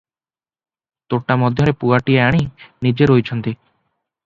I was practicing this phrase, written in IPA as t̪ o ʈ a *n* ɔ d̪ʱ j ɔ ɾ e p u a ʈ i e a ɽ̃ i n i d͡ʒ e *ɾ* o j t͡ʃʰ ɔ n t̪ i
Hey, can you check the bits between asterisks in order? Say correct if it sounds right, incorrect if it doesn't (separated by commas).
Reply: incorrect, correct